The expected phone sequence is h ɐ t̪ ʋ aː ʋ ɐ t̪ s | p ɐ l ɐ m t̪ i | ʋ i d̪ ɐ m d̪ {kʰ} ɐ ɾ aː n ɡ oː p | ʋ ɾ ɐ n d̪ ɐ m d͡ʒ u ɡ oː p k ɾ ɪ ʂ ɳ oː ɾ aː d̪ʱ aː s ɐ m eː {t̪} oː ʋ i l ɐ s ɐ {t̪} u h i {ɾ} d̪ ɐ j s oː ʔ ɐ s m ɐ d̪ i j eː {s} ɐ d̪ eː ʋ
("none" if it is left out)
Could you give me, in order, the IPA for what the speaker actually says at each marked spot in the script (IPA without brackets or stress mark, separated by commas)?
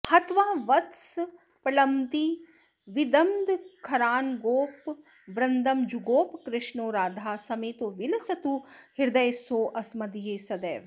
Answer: kʰ, t̪, t̪, ɾ, s